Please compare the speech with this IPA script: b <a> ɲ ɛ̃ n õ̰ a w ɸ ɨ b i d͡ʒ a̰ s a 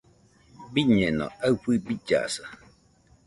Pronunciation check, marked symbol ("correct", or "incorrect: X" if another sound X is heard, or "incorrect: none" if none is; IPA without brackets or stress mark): incorrect: i